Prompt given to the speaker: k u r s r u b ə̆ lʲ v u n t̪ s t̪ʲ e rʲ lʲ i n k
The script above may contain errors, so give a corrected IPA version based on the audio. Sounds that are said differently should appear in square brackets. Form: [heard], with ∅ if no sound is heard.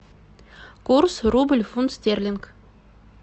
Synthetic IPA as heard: k u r s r u b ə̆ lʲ [f] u n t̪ s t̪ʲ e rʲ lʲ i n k